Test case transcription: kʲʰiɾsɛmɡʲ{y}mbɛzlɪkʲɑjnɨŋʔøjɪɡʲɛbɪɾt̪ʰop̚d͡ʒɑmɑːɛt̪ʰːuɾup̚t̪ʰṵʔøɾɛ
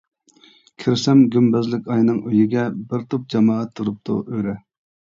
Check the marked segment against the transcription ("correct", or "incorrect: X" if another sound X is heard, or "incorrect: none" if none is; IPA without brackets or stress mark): correct